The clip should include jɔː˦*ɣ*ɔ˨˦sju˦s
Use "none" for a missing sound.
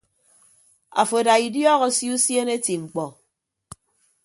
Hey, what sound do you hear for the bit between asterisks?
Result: ɣ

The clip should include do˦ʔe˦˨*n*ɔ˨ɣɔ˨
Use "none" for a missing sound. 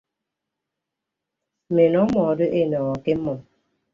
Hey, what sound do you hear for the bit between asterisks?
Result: n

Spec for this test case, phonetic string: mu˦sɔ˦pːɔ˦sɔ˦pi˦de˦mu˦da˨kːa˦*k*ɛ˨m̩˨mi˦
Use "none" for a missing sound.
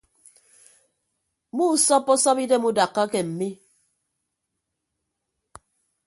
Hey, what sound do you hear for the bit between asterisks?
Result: k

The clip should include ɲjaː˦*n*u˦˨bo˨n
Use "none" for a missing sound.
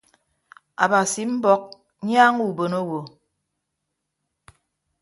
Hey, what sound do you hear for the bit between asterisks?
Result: ŋ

